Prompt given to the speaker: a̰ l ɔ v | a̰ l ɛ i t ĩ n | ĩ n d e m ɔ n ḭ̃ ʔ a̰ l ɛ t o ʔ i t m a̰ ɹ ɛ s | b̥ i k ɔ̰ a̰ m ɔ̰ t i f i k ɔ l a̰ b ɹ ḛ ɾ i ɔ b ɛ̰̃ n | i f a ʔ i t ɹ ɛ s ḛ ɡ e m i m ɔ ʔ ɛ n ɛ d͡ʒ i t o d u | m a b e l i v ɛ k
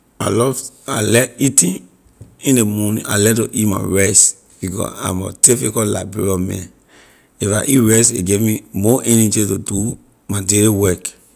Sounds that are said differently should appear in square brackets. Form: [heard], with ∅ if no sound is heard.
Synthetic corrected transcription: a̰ l ɔ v | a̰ l ɛ i t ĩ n | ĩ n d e m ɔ n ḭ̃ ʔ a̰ l ɛ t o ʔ i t m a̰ ɹ ɛ s | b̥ i k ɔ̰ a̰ m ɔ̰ t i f i k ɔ l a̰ b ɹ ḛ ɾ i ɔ [m] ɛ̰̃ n | i f a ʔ i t ɹ ɛ s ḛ ɡ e m i m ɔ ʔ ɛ n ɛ d͡ʒ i t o d u | m a [d] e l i [w] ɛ k